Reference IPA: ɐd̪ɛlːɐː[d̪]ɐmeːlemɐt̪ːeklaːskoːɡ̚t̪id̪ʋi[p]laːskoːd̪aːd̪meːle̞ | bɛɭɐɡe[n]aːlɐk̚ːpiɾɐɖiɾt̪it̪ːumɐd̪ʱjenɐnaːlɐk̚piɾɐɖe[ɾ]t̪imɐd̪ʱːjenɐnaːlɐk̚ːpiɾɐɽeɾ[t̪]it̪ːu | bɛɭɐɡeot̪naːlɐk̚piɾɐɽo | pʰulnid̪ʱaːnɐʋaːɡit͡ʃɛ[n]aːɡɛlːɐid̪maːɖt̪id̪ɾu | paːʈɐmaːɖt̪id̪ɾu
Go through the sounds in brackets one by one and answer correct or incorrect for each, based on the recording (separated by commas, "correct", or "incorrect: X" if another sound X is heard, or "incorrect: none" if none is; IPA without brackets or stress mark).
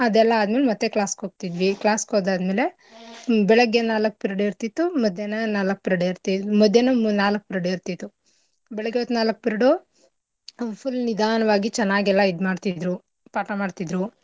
correct, incorrect: k, correct, correct, correct, incorrect: nː